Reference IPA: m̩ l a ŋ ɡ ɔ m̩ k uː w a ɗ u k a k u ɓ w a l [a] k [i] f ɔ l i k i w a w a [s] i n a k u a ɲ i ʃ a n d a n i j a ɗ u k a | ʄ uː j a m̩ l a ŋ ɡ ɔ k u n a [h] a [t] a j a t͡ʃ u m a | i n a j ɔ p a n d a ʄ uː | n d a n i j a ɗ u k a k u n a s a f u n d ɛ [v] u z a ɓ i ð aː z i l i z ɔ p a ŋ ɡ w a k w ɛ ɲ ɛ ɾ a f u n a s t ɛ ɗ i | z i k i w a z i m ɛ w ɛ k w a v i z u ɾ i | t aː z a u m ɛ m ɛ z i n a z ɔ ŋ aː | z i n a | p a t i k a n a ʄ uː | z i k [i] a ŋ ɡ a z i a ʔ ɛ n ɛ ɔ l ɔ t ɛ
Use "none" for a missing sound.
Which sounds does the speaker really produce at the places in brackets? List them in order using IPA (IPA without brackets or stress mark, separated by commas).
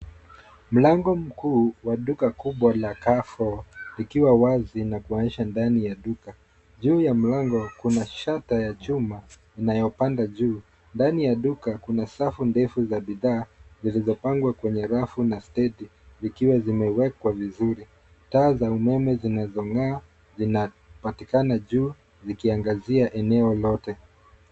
a, a, z, ʃ, t, f, i